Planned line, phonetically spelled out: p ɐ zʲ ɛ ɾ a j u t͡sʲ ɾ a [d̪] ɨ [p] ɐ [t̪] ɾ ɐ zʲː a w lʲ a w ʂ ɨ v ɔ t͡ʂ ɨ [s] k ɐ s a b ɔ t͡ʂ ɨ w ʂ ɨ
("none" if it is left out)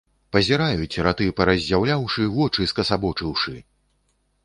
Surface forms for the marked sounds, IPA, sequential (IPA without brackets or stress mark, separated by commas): t̪, p, none, s